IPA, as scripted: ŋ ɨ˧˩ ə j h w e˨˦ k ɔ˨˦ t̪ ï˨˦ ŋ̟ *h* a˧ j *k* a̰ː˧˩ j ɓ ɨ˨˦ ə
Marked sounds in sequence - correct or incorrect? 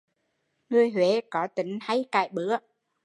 correct, correct

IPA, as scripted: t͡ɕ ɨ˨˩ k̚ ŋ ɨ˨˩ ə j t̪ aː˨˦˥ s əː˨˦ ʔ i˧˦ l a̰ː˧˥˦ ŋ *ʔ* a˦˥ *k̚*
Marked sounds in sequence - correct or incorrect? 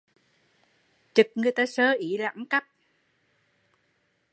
incorrect, incorrect

